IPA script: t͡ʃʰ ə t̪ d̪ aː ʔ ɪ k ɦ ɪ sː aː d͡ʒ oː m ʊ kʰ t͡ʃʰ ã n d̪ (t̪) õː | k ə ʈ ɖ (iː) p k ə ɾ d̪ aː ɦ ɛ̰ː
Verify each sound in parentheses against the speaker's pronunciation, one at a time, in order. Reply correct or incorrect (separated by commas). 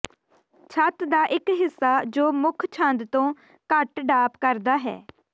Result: correct, incorrect